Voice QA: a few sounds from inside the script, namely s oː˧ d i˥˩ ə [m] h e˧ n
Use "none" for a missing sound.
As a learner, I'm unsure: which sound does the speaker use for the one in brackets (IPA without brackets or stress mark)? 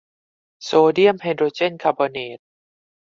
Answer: m